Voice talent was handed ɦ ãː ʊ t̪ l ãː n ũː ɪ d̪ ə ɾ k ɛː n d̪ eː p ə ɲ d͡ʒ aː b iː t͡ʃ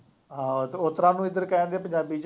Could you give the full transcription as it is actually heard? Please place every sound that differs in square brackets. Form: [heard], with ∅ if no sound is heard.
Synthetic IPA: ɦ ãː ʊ t̪ [ɾ] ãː n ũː ɪ d̪ ə ɾ k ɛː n d̪ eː p ə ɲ d͡ʒ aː b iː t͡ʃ